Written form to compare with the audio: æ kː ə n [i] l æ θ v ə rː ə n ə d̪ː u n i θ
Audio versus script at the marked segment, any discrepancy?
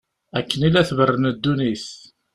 no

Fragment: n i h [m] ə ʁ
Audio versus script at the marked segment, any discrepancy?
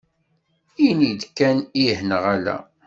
yes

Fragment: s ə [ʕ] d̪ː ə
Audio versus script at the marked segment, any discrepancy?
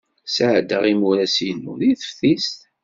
no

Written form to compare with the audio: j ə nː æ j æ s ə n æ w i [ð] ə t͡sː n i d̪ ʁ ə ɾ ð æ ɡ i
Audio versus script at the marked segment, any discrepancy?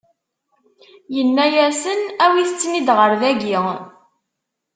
yes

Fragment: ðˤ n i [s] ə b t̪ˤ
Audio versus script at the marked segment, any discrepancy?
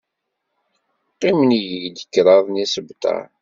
no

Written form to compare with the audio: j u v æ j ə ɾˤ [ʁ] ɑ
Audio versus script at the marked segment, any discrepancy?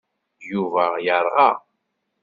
no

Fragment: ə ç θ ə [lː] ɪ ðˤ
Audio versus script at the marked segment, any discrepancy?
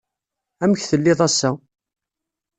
no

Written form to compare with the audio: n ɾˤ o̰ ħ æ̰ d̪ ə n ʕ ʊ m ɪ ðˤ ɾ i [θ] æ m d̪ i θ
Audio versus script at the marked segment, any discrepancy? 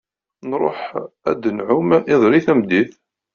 no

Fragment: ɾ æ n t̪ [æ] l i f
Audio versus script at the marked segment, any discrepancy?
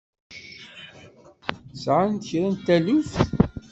no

